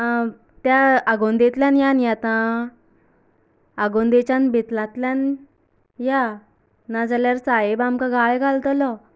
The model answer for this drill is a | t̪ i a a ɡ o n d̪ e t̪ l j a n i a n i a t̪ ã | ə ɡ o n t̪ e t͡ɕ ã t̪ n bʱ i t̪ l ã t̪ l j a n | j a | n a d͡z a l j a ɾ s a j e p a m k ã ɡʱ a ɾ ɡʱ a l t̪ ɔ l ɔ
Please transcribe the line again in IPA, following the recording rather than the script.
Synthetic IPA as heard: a | t̪ j a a ɡ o n d̪ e t̪ l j a n j a n j a t̪ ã | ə ɡ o n d̪ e t͡ɕ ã n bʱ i t̪ l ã t̪ l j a n | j a | n a d͡z a l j a ɾ s a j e b a m k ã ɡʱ a ɭ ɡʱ a l t̪ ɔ l ɔ